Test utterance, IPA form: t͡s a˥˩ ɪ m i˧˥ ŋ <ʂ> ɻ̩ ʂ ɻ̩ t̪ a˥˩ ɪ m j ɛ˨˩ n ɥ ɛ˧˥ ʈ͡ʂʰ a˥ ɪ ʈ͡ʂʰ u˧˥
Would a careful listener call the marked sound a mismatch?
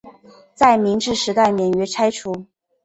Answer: yes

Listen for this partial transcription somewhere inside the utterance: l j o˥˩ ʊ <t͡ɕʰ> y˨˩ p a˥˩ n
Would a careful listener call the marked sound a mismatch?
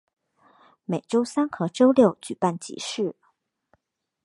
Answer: yes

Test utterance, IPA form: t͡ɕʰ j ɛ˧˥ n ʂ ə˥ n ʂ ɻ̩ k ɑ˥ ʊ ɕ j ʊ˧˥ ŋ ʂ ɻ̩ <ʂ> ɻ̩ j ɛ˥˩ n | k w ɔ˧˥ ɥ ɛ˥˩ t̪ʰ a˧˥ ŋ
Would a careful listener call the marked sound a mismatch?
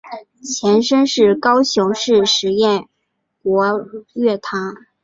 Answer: no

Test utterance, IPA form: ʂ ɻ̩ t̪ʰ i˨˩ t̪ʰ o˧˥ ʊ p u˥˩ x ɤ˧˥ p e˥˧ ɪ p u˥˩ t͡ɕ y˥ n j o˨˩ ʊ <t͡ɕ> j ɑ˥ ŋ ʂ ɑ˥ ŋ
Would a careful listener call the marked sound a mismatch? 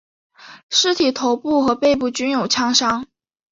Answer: yes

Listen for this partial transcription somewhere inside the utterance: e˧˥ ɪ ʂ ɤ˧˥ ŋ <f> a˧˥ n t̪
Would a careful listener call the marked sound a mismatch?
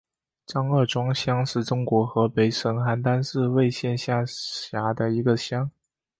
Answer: yes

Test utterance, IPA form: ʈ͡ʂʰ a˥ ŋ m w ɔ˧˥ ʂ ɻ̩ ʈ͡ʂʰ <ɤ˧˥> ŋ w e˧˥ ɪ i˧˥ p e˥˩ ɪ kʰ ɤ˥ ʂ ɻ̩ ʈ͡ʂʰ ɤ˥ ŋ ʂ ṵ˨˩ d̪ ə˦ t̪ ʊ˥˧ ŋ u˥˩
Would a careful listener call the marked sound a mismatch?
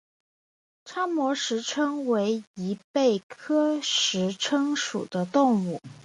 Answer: yes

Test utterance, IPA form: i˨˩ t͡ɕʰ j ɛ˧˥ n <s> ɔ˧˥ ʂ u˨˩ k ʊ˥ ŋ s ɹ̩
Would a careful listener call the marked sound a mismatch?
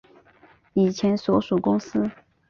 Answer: no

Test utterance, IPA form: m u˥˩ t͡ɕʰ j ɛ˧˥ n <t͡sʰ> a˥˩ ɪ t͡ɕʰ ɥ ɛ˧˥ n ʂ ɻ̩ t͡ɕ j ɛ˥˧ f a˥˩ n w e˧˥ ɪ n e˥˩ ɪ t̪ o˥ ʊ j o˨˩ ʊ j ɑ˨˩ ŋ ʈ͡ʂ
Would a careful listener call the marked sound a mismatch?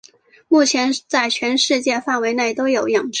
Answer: yes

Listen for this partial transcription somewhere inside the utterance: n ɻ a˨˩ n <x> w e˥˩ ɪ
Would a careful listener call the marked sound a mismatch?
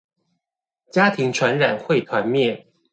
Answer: no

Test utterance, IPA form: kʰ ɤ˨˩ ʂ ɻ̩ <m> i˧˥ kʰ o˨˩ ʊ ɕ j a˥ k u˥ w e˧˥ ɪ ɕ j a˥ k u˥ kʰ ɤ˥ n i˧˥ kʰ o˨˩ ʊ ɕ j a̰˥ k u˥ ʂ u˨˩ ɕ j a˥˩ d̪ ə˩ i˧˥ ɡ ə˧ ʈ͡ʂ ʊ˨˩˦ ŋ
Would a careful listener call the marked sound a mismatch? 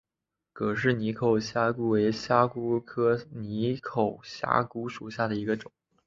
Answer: yes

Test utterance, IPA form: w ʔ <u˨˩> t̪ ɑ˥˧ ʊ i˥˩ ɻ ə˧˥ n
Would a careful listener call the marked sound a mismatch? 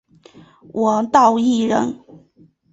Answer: yes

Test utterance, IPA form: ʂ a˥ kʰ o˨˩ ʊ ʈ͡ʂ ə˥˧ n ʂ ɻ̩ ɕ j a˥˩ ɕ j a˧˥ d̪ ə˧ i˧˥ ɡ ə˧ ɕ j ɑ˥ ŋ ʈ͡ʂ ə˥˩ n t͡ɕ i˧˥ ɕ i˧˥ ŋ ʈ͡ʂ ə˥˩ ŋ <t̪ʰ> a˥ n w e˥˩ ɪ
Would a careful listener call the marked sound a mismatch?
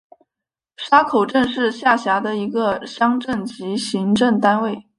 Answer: yes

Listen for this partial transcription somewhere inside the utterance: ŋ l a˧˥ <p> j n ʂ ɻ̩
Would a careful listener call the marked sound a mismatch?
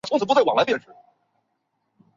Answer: no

